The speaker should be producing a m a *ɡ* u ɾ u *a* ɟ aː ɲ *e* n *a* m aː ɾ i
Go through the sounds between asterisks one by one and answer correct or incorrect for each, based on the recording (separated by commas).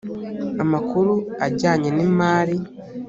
incorrect, correct, correct, incorrect